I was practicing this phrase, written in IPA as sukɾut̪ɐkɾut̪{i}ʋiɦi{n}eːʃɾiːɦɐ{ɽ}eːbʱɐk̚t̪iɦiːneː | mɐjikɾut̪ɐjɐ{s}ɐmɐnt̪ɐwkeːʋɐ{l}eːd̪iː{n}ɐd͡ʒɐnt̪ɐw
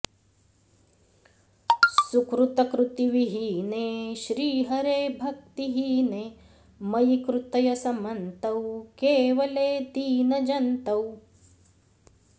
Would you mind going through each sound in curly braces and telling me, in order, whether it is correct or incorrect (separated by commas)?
correct, correct, incorrect, correct, correct, correct